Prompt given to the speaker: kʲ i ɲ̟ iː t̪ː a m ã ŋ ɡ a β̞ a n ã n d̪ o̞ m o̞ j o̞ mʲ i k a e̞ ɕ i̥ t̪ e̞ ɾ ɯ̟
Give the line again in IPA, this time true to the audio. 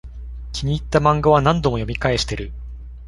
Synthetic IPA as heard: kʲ i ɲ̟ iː t̪ː a m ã ŋ ɡ a β̞ a n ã n d̪ o̞ m o̞ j o̞ mʲ i k a e̞ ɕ i̥ t̪ e̞ ɾ ɯ̟